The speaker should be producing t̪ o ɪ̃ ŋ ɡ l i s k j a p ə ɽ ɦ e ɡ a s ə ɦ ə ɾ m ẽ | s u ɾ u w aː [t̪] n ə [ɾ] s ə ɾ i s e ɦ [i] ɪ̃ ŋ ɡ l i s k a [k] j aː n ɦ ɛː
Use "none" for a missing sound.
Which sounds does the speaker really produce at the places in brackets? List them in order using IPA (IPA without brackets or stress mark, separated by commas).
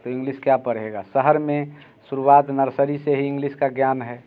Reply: t̪, ɾ, i, ɡ